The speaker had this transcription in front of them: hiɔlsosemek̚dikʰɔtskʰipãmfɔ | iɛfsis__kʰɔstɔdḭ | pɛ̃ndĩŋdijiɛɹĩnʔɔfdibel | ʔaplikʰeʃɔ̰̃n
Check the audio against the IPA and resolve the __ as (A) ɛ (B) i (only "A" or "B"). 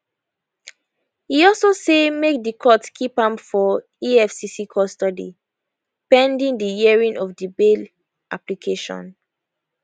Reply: B